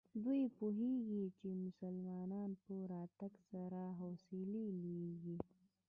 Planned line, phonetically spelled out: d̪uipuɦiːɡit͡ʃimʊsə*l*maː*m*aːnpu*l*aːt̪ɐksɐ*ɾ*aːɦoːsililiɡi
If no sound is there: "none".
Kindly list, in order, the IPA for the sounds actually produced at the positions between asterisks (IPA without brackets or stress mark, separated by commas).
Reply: l, n, ɾ, ɾ